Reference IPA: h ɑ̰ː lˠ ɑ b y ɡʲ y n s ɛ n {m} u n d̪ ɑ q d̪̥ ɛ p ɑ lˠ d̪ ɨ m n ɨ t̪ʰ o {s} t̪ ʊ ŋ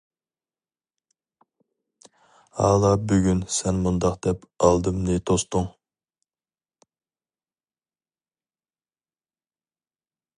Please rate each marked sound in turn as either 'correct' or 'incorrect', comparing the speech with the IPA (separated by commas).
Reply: correct, correct